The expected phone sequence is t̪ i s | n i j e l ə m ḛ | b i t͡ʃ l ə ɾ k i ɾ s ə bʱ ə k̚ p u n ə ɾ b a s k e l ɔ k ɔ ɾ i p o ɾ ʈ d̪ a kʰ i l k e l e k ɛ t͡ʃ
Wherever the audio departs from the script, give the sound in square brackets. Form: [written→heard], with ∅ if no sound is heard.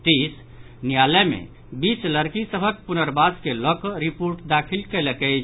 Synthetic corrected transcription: t̪ i s | n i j [e→a] l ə m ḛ | b i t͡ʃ l ə ɾ k i [ɾ→∅] s ə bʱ ə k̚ p u n ə ɾ b a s k e l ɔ k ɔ ɾ i p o ɾ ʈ d̪ a kʰ i l k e l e k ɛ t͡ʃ